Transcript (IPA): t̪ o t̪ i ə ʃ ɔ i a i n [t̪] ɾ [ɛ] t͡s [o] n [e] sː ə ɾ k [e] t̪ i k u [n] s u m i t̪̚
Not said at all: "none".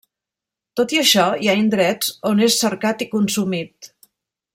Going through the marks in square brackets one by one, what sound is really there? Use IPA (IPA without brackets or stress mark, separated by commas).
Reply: d̪, ɛ, o, e, a, n